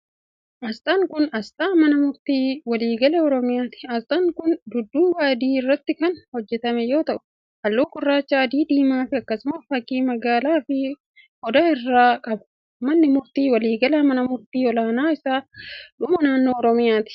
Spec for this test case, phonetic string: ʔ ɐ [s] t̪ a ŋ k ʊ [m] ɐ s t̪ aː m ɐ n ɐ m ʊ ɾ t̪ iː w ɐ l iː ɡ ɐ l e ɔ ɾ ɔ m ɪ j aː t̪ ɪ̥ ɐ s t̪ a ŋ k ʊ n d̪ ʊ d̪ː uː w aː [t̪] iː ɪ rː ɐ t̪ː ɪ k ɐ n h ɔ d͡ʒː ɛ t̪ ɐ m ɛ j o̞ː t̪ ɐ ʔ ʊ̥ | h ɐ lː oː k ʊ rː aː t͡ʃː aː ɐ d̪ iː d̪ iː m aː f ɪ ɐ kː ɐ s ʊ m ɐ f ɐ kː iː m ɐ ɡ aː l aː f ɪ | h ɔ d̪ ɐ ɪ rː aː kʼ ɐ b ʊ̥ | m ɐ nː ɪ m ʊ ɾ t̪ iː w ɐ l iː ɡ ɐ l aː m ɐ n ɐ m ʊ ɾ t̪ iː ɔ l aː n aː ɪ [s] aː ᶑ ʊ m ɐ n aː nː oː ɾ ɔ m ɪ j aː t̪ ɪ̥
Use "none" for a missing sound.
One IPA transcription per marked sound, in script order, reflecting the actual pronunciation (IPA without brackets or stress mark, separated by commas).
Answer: s, n, d̪, s